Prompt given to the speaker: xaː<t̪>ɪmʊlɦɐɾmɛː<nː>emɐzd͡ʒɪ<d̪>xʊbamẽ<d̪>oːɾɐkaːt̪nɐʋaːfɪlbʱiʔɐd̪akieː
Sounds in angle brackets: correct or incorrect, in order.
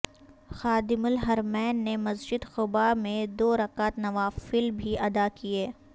incorrect: d̪, correct, correct, correct

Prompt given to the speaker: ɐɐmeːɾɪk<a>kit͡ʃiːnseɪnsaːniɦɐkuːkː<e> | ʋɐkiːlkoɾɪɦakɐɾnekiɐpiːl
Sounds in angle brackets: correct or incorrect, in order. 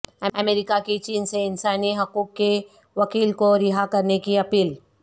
correct, correct

